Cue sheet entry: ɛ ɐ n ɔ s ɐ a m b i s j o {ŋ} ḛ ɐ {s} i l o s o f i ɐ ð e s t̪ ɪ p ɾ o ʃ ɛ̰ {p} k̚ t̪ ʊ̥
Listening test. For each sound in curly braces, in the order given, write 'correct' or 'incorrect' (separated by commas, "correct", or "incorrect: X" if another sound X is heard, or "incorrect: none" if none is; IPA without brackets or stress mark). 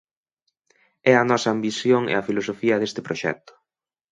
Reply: correct, incorrect: f, incorrect: none